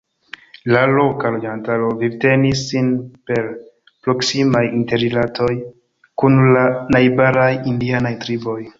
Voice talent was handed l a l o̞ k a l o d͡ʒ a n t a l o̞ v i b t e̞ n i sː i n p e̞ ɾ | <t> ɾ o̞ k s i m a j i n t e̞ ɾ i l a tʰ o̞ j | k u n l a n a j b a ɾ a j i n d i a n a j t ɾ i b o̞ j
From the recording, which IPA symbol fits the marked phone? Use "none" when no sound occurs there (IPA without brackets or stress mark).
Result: p